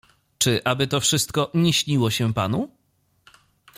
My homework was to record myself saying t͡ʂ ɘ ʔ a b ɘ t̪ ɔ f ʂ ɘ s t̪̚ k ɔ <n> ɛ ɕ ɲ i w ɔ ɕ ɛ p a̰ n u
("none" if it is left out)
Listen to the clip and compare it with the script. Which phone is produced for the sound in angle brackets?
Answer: ɲ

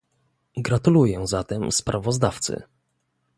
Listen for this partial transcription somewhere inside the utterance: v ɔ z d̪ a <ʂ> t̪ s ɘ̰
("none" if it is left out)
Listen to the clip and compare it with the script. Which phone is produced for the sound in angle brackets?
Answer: f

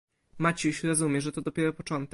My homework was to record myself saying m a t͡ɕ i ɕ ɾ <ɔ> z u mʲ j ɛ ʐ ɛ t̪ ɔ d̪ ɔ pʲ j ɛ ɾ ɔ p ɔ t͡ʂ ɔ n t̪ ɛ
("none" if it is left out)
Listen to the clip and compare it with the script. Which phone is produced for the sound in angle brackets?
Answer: ɔ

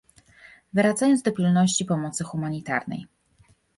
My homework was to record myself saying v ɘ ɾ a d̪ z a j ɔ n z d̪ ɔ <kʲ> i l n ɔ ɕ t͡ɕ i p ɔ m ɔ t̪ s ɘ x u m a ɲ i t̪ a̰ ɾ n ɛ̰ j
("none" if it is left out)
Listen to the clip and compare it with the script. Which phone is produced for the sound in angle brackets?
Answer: pʲ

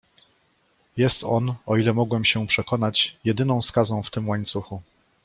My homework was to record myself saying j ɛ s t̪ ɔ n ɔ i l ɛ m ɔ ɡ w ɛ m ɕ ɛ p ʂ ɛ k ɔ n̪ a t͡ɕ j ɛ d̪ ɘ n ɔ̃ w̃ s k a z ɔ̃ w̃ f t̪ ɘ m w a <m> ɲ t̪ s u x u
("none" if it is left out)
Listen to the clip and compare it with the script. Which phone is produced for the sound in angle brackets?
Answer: none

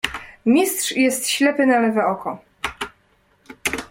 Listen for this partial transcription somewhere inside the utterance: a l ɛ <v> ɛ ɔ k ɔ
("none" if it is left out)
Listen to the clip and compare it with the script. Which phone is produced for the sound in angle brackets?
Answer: v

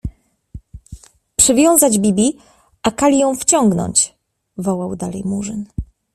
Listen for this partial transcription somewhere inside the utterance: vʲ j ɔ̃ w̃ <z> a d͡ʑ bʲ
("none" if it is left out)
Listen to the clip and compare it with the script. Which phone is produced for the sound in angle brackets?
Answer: z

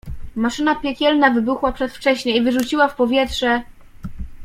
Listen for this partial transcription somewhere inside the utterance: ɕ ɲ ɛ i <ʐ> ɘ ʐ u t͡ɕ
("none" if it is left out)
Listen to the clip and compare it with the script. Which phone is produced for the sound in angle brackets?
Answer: v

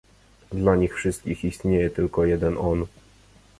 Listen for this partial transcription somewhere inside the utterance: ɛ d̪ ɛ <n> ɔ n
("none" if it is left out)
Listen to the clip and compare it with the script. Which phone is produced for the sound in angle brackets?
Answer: n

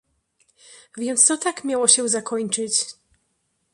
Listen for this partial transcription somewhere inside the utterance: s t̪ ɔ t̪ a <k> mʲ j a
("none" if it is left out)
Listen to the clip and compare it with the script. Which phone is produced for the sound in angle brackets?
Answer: k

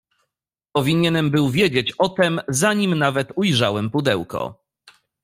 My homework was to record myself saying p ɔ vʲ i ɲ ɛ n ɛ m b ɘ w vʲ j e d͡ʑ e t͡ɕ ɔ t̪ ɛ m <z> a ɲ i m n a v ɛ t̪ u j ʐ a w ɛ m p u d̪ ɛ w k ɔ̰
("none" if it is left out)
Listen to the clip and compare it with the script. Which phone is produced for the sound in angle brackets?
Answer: z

